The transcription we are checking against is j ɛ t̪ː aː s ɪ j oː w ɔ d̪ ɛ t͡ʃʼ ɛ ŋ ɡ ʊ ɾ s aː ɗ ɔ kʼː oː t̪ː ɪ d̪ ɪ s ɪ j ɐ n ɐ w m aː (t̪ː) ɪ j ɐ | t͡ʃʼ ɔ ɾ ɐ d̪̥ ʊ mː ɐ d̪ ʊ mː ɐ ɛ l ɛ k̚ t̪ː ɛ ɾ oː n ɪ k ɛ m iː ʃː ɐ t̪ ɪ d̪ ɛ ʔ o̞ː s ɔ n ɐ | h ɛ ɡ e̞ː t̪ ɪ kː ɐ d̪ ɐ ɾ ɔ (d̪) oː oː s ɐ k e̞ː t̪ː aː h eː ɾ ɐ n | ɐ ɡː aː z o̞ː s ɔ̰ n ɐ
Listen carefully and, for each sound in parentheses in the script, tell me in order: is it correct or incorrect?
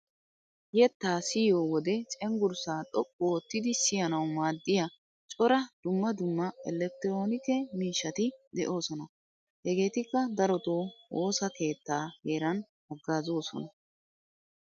incorrect: d̪ː, incorrect: t̪

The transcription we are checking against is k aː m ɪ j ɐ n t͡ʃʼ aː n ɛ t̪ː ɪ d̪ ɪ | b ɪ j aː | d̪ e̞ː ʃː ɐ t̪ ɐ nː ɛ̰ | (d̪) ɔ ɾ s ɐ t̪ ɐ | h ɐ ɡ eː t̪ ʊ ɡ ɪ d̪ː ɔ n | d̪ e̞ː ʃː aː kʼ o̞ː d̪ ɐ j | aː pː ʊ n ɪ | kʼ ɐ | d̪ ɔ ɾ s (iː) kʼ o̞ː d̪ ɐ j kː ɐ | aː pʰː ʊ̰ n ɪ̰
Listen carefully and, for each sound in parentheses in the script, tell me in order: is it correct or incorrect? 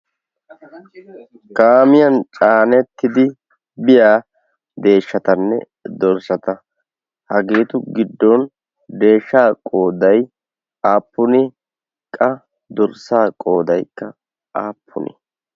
correct, incorrect: aː

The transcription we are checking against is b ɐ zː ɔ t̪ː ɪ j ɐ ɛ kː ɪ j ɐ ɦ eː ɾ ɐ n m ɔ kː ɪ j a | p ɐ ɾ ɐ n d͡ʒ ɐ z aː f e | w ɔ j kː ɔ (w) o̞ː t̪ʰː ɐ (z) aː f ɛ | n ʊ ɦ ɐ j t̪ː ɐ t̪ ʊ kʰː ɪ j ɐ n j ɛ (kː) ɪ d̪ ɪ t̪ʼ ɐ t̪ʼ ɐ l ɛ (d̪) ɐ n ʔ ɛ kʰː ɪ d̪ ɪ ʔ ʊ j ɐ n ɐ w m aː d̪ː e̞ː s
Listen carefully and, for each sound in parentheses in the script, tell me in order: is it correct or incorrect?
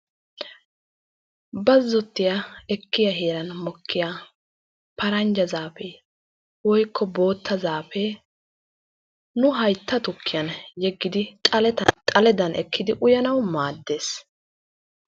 incorrect: b, correct, incorrect: ɡː, correct

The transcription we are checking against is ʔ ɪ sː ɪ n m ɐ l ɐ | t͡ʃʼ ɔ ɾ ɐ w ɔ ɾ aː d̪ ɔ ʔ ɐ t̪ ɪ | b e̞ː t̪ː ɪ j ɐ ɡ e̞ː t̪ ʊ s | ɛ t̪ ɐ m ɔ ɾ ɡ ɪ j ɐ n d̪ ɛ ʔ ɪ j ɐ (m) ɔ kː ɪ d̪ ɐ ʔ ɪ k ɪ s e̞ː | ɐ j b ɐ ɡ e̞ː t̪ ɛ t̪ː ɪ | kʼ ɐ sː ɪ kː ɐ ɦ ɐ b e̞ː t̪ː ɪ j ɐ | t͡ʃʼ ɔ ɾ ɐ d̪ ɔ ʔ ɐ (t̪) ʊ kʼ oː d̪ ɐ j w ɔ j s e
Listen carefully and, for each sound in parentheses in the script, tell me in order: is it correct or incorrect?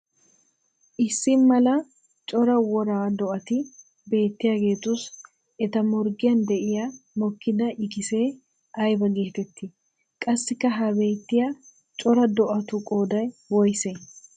correct, correct

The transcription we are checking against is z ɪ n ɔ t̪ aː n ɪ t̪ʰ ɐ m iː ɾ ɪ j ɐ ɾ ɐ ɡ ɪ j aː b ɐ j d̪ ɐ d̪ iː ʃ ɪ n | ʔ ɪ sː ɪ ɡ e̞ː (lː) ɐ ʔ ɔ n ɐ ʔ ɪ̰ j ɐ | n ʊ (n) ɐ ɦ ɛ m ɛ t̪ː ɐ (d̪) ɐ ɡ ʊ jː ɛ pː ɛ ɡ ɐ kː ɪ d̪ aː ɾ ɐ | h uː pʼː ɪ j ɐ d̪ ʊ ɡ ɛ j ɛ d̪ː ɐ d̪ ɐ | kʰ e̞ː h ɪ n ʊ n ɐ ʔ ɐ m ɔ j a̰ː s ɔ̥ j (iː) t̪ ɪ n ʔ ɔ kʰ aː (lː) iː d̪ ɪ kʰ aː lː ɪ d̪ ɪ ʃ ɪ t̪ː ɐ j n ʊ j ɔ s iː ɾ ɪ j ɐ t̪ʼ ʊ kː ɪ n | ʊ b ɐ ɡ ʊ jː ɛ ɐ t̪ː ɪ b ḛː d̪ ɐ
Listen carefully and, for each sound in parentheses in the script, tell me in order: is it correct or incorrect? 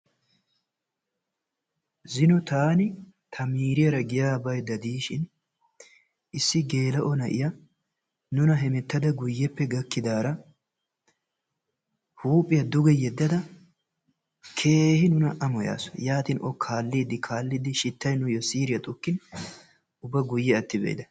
incorrect: l, correct, correct, incorrect: aː, correct

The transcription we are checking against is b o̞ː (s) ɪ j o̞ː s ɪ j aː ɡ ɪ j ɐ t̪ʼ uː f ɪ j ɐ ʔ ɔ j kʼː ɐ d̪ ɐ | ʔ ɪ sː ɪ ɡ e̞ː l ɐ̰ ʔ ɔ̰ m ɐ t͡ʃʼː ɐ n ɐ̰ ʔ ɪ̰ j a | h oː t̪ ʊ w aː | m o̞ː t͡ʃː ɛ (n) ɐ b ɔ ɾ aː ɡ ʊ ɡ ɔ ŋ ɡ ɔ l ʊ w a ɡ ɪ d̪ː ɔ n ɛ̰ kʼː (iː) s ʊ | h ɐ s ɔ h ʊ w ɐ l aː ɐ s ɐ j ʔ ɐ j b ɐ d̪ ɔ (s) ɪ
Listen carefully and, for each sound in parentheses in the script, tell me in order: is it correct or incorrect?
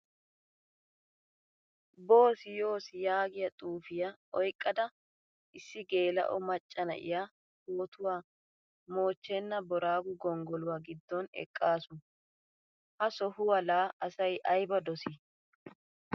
correct, incorrect: nː, incorrect: aː, correct

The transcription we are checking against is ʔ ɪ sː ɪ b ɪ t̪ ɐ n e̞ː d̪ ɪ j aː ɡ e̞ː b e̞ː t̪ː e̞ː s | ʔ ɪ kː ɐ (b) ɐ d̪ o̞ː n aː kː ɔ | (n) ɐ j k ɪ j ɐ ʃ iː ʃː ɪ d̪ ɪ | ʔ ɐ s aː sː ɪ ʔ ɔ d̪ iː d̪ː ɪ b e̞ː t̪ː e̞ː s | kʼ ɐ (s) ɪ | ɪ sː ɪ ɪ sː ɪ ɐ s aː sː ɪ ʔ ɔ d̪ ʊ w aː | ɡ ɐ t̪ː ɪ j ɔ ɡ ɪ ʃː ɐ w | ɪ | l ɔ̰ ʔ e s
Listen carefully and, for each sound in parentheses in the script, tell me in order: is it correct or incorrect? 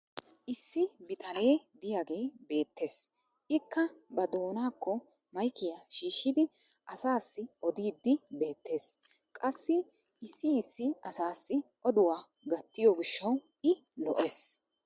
correct, incorrect: m, incorrect: sː

